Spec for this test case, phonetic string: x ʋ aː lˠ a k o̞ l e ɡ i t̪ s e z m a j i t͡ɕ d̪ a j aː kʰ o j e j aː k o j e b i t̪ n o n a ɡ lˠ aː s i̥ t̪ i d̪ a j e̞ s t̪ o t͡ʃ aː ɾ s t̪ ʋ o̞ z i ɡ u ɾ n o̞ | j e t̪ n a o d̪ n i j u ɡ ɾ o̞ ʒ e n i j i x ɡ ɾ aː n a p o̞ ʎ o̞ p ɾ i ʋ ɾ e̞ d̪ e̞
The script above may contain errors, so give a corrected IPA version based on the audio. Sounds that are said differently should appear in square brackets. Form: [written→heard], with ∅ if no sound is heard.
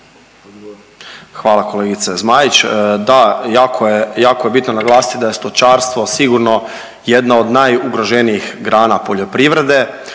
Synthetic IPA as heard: x ʋ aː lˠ a k o̞ l e ɡ i t̪ s e z m a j i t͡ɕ d̪ a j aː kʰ o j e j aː k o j e b i t̪ n o n a ɡ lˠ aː s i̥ t̪ i d̪ a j e̞ s t̪ o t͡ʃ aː ɾ s t̪ ʋ o̞ [z→s] i ɡ u ɾ n o̞ | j e [t̪→d̪] n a o d̪ n [i→a] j u ɡ ɾ o̞ ʒ e n i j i x ɡ ɾ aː n a p o̞ ʎ o̞ p ɾ i ʋ ɾ e̞ d̪ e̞